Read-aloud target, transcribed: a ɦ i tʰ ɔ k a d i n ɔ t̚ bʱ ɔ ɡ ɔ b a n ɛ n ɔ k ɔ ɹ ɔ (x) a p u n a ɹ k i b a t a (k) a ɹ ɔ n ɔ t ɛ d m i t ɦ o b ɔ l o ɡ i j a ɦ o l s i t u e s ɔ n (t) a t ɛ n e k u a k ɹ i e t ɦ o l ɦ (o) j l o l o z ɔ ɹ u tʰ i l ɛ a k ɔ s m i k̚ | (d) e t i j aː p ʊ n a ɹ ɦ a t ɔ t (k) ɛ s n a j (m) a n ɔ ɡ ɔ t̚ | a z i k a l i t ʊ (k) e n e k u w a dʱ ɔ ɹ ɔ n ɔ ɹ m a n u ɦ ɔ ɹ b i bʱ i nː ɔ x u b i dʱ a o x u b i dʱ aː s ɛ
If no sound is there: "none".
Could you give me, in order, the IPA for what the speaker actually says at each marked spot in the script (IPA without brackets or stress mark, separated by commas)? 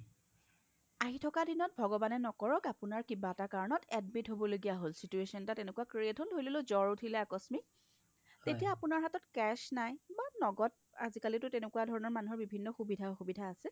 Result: k, k, t, o, t, k, b, t